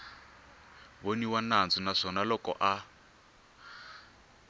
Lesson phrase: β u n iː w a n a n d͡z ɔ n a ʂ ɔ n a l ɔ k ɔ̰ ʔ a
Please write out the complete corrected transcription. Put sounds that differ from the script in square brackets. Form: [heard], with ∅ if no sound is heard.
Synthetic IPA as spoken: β [o] n [i] w a n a n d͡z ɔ n a ʂ ɔ n a l ɔ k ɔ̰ ʔ a